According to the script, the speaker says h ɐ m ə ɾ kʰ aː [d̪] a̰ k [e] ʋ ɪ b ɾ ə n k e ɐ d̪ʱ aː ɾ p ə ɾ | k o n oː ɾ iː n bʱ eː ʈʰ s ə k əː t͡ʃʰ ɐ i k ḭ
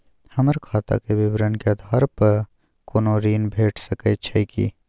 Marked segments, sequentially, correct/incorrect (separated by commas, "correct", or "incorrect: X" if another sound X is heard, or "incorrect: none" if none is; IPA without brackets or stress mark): incorrect: t̪, correct